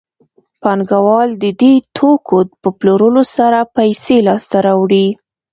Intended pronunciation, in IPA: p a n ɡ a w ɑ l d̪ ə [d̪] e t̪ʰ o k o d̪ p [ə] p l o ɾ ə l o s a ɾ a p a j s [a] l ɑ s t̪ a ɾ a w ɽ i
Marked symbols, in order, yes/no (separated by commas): yes, yes, no